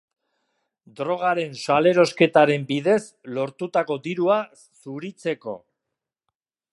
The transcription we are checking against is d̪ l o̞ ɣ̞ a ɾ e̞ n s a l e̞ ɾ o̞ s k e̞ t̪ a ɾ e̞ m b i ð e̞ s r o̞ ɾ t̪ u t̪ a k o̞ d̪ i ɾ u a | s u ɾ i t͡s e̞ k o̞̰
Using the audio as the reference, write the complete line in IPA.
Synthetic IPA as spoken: d̪ ɾ o̞ ɣ̞ a ɾ e̞ n s a l e̞ ɾ o̞ s k e̞ t̪ a ɾ e̞ m b i ð e̞ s l o̞ ɾ t̪ u t̪ a k o̞ d̪ i ɾ u a | s u ɾ i t͡s e̞ k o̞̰

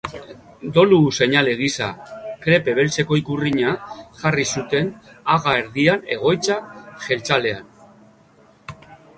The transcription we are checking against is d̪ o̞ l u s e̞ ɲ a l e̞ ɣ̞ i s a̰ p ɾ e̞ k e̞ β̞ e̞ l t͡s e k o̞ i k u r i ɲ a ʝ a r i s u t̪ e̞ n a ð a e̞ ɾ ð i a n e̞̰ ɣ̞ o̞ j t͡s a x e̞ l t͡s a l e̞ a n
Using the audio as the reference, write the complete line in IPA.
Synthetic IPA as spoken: d̪ o̞ l u s e̞ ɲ a l e̞ ɣ̞ i s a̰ k ɾ e̞ p e̞ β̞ e̞ l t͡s e k o̞ i k u r i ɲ a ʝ a r i s u t̪ e̞ n a ɣ a e̞ ɾ ð i a n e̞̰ ɣ̞ o̞ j t͡s a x e̞ l t͡s a l e̞ a n

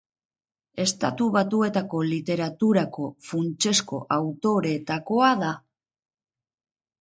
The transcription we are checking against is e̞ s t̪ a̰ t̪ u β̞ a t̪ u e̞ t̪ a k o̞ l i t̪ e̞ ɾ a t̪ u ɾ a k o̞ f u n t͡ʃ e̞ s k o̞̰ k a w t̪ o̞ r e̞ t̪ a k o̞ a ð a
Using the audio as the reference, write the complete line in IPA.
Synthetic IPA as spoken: e̞ s t̪ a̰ t̪ u β̞ a t̪ u e̞ t̪ a k o̞ l i t̪ e̞ ɾ a t̪ u ɾ a k o̞ f u n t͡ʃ e̞ s k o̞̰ ʔ a w t̪ o̞ ɾ e̞ t̪ a k o̞ a ð a

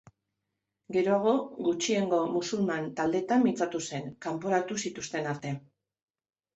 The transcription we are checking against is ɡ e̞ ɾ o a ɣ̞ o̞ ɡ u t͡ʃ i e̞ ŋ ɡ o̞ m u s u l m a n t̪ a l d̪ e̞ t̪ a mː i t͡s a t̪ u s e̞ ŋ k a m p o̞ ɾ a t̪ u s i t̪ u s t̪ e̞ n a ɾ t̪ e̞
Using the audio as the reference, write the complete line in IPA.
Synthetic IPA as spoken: ɡ e̞ ɾ o a ɣ̞ o̞ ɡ u t͡ʃ i e̞ ŋ ɡ o̞ m u s u l m a n t̪ a l d̪ e̞ t̪ a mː i t͡s a t̪ u s e̞ ŋ k a m p o̞ ɾ a t̪ u s i t̪ u s t̪ e̞ n a ɾ t̪ e̞

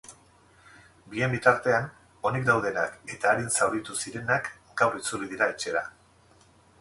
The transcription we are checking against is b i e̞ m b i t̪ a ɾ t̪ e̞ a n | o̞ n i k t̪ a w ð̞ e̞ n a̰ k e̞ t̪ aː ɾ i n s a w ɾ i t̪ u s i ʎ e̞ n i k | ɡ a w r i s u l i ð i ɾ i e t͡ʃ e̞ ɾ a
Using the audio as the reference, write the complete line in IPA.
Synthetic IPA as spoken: b i e̞ m b i t̪ a ɾ t̪ e̞ a n | o̞ n i k d̪ a w ð̞ e̞ n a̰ k e̞ t̪ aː ɾ i n s a w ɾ i t̪ u s i ɾ e̞ n a k | ɡ a w r i t͡s u l i ð i ɾ a e t͡ʃ e̞ ɾ a

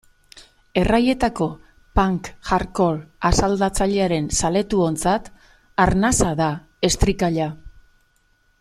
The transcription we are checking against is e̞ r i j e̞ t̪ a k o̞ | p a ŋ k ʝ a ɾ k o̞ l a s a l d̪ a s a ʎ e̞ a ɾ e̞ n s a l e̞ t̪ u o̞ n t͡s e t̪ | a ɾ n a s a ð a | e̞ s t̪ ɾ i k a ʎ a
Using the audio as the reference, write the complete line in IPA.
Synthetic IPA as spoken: e̞ r a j e̞ t̪ a k o̞ | p a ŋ k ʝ a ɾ k o̞ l a s a l d̪ a t͡s a ʎ e̞ a ɾ e̞ n s a l e̞ t̪ u o̞ n t͡s a t̪ | a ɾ n a s a ð a | e̞ s t̪ ɾ i k a ʎ a

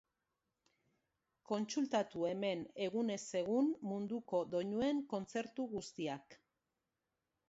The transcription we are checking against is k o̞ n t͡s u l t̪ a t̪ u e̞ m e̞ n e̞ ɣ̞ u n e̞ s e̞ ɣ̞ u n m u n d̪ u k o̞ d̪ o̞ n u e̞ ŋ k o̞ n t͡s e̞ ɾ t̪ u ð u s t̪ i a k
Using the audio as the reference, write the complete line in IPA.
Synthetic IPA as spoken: k o̞ n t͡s u l t̪ a t̪ u e̞ m e̞ n e̞ ɣ̞ u n e̞ s e̞ ɣ̞ u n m u n d̪ u k o̞ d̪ o̞ ɲ u e̞ ŋ k o̞ n t͡s e̞ ɾ t̪ u ɣ u s t̪ i a k

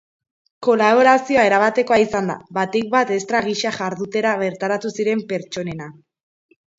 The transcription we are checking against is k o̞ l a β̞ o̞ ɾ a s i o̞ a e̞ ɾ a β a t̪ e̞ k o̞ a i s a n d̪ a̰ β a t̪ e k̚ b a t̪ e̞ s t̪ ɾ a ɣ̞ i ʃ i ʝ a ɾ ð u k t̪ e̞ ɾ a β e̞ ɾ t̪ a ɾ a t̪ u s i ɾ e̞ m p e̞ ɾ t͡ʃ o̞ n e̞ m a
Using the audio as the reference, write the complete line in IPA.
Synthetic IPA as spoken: k o̞ l a β̞ o̞ ɾ a s i o̞ a e̞ ɾ a β a t̪ e̞ k o̞ a i s a n d̪ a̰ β a t̪ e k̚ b a t̪ e̞ s t̪ ɾ a ɣ̞ i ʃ a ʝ a ɾ ð u t̪ e̞ ɾ a β e̞ ɾ t̪ a ɾ a t̪ u s i ɾ e̞ m p e̞ ɾ t͡ʃ o̞ n e̞ n a

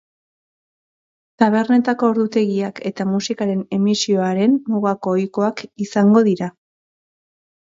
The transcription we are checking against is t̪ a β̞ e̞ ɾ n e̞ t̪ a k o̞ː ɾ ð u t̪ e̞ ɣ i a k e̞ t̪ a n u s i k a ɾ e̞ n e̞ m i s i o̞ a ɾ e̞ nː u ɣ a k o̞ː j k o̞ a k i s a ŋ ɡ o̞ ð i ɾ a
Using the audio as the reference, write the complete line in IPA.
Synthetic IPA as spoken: t̪ a β̞ e̞ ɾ n e̞ t̪ a k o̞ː ɾ ð u t̪ e̞ ɣ i a k e̞ t̪ a m u s i k a ɾ e̞ n e̞ m i s i o̞ a ɾ e̞ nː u ɣ a k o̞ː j k o̞ a k i s a ŋ ɡ o̞ ð i ɾ a

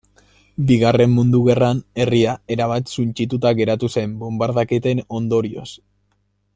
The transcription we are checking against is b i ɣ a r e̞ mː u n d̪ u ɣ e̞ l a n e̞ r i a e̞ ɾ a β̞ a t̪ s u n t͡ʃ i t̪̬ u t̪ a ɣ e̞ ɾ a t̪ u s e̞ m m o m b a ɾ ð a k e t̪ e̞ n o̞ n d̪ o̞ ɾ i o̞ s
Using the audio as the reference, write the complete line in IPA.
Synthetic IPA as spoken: b i ɣ a r e̞ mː u n d̪ u ɣ e̞ r a n e̞ r i a e̞ ɾ a β̞ a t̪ s u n t͡ʃ i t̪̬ u t̪ a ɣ e̞ ɾ a t̪ u s e̞ m b o m b a ɾ ð a k e t̪ e̞ n o̞ n d̪ o̞ ɾ i o̞ s

